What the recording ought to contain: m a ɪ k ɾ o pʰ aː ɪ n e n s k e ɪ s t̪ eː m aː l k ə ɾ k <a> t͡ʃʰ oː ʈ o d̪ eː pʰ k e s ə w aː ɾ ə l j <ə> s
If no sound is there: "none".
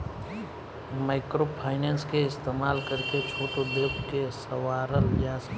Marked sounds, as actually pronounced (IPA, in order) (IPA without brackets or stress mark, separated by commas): e, a